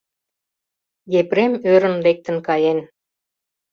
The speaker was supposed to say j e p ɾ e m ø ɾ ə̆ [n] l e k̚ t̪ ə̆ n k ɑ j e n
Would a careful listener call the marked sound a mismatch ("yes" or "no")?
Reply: no